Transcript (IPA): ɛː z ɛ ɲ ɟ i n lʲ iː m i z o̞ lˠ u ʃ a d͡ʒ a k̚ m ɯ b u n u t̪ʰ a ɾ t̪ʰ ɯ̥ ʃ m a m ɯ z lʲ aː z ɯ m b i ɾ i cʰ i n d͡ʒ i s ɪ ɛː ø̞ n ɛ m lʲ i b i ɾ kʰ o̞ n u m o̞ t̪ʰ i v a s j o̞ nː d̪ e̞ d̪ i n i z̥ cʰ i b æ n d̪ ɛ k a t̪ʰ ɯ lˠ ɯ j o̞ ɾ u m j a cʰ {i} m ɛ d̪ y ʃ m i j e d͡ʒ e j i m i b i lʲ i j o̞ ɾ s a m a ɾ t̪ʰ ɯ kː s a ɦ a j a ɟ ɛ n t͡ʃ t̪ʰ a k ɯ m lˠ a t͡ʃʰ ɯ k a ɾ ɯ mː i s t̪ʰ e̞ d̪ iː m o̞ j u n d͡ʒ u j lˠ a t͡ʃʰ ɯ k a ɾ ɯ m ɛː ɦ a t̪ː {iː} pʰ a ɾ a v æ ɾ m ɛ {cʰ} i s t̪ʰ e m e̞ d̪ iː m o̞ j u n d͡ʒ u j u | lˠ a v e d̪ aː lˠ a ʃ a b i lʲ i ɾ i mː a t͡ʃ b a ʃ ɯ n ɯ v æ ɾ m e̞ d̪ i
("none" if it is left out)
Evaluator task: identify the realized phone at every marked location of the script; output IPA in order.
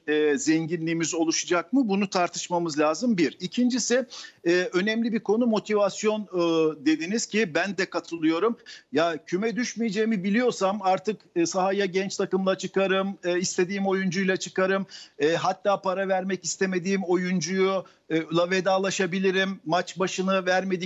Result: y, aː, c

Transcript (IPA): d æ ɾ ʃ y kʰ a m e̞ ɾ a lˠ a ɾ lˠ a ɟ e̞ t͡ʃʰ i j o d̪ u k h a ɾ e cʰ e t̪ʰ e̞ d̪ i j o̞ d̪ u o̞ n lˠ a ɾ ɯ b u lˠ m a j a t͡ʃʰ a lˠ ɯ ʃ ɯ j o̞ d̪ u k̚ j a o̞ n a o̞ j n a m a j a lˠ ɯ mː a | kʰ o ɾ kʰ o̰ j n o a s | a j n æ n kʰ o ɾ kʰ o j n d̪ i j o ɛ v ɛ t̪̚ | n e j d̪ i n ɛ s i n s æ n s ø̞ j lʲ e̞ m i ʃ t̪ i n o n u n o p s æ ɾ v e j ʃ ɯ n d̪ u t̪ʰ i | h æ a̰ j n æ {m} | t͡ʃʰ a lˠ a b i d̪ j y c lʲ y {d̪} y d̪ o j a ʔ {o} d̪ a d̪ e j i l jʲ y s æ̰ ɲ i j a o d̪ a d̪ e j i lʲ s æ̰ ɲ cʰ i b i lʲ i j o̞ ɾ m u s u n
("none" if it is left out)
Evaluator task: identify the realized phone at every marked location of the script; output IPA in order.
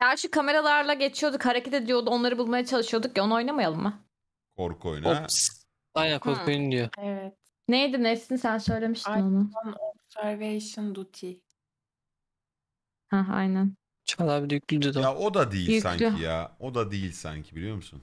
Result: n, d̪, o

